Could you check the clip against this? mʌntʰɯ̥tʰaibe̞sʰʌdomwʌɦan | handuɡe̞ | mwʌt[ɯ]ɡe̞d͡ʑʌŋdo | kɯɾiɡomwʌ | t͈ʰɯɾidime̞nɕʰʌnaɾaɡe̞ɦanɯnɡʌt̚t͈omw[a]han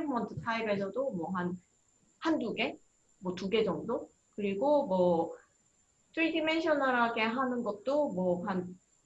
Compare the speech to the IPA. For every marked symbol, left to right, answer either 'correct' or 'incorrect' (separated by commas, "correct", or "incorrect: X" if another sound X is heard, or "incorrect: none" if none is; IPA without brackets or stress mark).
incorrect: u, incorrect: ʌ